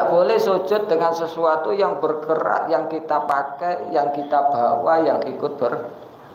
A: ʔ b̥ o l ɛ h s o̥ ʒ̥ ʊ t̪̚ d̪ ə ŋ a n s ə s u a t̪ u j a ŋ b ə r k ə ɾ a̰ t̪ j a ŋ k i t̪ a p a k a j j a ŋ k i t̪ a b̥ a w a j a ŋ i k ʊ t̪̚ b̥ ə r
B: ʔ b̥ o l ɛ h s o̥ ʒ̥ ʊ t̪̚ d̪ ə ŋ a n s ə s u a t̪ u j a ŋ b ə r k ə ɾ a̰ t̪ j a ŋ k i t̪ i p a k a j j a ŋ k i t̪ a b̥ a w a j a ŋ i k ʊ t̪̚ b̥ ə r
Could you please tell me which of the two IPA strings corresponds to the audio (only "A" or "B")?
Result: A